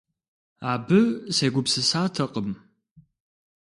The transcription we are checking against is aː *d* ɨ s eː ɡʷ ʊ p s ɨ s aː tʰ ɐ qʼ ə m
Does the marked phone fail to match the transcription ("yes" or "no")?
yes